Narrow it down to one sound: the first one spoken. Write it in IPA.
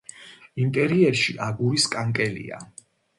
i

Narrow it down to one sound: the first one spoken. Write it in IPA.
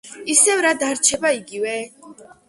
i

